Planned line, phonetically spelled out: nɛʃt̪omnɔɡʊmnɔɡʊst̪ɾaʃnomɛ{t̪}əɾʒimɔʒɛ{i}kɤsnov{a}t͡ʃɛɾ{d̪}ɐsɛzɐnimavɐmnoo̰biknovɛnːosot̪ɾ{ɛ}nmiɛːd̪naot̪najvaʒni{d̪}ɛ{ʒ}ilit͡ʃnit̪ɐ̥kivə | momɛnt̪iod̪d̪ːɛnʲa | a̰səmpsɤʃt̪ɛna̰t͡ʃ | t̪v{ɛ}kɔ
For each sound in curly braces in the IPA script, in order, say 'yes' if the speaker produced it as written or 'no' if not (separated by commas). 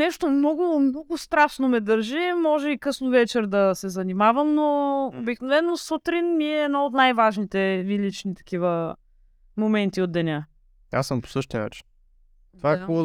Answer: no, yes, no, yes, no, no, no, no